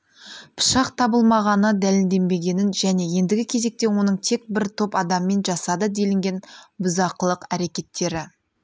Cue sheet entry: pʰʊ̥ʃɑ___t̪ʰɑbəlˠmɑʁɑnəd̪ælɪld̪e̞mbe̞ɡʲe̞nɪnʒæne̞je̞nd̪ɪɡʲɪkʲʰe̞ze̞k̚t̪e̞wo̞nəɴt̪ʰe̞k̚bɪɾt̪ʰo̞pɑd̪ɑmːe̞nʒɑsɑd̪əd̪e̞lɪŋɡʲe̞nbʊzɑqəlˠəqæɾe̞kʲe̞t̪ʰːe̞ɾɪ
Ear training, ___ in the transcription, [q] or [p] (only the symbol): q